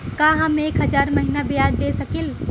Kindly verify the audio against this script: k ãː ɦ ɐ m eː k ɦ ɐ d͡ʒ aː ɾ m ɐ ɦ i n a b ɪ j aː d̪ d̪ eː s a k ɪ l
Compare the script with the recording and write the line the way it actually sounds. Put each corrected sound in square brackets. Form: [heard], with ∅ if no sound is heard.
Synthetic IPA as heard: k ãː ɦ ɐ m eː k ɦ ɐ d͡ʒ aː ɾ m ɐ ɦ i n a b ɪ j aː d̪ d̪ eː s [ɐ] k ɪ l